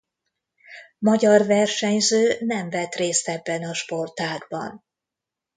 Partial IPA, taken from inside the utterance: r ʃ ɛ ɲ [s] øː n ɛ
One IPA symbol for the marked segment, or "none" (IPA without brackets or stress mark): z